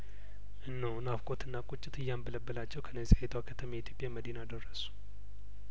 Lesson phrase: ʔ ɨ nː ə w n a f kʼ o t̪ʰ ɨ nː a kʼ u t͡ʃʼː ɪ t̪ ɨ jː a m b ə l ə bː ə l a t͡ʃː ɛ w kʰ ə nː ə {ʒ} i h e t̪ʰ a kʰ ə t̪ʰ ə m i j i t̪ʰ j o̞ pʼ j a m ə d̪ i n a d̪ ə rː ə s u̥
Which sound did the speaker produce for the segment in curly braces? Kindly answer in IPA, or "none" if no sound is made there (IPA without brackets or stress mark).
z